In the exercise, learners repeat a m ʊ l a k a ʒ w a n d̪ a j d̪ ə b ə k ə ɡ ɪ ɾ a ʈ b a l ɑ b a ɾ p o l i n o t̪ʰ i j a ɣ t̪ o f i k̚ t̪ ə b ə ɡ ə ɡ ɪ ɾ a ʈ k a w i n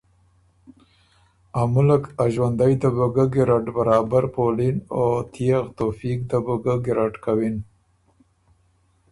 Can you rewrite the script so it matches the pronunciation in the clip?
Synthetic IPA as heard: a m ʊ l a k a ʒ w a n d̪ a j d̪ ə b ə ɡ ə ɡ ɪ ɾ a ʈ b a ɾ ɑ b a ɾ p o l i n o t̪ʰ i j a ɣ t̪ o f i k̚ d̪ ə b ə ɡ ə ɡ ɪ ɾ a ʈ k a w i n